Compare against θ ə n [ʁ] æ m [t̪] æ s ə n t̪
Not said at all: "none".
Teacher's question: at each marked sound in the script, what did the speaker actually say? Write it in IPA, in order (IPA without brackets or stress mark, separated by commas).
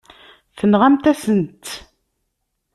ʁ, t̪